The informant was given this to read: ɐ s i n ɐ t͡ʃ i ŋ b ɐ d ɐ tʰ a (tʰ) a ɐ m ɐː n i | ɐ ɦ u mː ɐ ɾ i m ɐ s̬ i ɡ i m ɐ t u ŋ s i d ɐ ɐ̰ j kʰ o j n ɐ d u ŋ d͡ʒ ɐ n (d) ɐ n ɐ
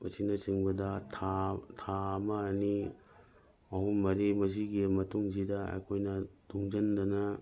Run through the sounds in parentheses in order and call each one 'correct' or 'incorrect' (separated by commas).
correct, correct